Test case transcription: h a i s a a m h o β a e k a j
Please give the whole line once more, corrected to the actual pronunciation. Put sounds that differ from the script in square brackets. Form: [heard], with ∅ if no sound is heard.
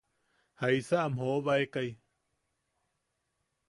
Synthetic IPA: h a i s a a m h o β a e k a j

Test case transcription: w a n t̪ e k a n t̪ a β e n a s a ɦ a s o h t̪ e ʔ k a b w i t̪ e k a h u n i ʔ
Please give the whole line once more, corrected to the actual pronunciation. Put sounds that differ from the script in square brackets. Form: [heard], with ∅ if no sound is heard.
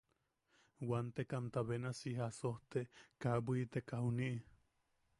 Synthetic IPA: w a n t̪ e k a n t̪ a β e n a s [i] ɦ a s o h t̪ e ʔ k a b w i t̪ e k a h u n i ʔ

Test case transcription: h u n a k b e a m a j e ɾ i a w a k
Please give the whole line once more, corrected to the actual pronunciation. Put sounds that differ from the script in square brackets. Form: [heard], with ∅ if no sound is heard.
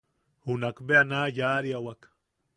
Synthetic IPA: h u n a k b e a [n] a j [a] ɾ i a w a k

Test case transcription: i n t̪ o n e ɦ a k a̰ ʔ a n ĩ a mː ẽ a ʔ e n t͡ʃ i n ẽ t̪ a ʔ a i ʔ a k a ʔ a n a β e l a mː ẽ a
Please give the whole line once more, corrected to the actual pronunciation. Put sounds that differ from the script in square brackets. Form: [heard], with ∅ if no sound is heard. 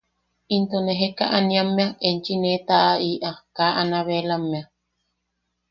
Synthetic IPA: i n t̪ o n e ɦ [e] k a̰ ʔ a n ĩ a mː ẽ a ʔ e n t͡ʃ i n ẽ t̪ a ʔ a i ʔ a k a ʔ a n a β e l a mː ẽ a

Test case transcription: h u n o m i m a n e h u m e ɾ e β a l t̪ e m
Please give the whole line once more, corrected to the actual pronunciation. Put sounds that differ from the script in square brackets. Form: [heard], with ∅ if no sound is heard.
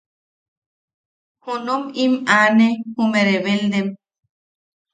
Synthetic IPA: h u n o m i m a n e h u m e ɾ e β [e] l [d̪] e m

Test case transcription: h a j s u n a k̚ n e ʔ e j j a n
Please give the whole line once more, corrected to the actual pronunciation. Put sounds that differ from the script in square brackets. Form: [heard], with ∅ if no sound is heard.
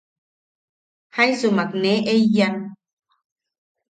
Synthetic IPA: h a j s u [m] a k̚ n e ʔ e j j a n

